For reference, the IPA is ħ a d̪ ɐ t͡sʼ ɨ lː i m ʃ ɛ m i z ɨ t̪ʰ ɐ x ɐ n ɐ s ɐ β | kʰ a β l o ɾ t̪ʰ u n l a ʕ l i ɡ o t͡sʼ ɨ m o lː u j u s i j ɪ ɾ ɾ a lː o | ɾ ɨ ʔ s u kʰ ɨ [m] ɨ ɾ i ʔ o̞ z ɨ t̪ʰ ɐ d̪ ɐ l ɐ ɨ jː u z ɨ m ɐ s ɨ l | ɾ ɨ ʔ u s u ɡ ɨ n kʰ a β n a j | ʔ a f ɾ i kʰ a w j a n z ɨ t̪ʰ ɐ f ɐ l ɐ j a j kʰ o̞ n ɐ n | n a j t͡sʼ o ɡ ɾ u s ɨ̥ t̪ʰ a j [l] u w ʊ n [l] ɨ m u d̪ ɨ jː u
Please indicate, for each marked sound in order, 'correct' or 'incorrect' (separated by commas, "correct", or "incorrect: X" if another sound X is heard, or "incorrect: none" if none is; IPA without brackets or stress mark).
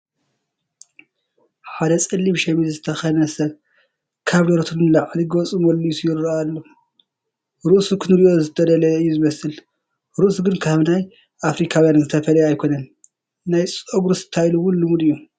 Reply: incorrect: n, correct, correct